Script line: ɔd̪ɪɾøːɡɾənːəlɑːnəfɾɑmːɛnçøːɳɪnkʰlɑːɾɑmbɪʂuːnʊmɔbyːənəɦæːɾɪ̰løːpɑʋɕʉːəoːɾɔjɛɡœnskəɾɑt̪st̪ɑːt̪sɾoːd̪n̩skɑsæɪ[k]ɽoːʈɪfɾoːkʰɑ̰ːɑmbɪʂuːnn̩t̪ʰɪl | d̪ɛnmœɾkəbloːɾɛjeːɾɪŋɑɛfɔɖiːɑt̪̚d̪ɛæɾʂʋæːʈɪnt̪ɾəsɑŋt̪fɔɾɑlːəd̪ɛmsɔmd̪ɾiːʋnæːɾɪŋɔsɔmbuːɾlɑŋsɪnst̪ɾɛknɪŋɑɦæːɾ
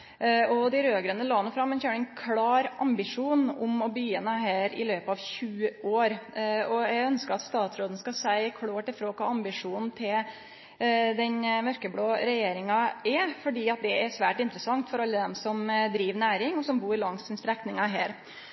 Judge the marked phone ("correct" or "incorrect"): incorrect